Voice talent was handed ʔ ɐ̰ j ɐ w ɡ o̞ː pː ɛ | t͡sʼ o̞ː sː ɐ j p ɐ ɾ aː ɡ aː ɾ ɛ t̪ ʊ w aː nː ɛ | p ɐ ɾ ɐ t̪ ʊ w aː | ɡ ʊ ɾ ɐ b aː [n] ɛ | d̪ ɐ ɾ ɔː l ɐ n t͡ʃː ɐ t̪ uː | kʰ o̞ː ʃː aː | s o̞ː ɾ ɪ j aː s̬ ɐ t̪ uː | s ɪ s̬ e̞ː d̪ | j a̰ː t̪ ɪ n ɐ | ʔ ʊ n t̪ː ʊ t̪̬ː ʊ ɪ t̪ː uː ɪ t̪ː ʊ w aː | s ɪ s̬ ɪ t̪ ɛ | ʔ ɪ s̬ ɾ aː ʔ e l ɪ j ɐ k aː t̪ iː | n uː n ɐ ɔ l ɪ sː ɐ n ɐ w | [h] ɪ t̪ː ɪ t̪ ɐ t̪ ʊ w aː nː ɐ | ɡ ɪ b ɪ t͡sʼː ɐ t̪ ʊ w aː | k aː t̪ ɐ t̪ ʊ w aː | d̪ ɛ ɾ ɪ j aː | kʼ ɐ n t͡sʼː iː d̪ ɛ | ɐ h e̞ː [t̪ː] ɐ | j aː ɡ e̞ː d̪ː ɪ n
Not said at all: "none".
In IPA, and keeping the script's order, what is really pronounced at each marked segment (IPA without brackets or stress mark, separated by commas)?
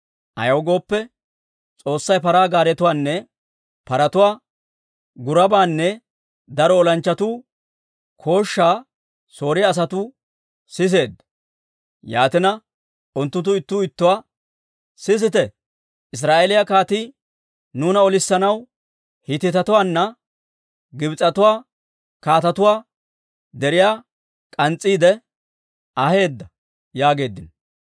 nː, h, d̪ː